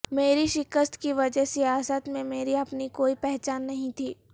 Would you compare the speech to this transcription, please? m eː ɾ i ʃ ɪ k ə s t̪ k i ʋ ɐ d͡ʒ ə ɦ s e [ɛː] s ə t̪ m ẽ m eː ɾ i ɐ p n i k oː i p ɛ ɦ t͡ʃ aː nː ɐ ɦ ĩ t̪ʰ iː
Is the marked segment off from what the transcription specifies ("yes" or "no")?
yes